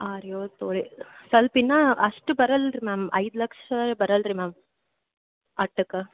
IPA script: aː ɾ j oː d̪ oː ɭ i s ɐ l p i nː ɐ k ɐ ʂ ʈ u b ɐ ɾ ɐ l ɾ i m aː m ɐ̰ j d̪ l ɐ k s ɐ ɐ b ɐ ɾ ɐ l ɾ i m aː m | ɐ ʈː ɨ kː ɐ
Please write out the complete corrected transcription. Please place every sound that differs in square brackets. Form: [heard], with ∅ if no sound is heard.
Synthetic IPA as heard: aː ɾ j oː [t̪] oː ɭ i s ɐ l p i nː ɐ [∅] ɐ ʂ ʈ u b ɐ ɾ ɐ l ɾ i m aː m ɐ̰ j d̪ l ɐ k [ʂ] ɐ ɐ b ɐ ɾ ɐ l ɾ i m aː m | ɐ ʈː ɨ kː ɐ